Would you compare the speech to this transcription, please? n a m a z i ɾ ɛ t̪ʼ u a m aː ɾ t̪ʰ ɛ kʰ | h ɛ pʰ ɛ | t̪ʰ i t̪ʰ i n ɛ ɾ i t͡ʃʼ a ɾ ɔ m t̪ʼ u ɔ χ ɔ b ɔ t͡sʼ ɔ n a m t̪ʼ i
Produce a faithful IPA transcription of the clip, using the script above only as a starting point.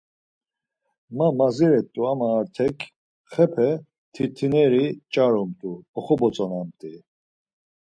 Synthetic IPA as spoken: m a m a z i ɾ ɛ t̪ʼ u a m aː ɾ t̪ʰ ɛ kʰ | χ ɛ pʰ ɛ | t̪ʰ i t̪ʰ i n ɛ ɾ i t͡ʃʼ a ɾ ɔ m t̪ʼ u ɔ χ ɔ b ɔ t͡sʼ ɔ n a m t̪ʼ i